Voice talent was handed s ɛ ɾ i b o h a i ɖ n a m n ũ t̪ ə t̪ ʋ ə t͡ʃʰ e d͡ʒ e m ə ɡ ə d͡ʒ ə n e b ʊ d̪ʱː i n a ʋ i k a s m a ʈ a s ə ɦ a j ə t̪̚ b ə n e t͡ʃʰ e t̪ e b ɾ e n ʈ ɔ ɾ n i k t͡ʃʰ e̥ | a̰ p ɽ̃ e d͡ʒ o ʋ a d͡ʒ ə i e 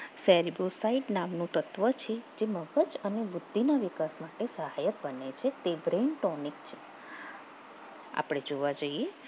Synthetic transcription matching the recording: s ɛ ɾ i b o s a i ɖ n a m n ũ t̪ ə t̪ ʋ ə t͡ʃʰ e d͡ʒ e m ə ɡ ə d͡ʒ ə n e b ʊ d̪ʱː i n a ʋ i k a s m a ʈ e s ə ɦ a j ə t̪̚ b ə n e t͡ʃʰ e t̪ e b ɾ e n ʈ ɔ n i k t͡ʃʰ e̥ | a̰ p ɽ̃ e d͡ʒ o ʋ a d͡ʒ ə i e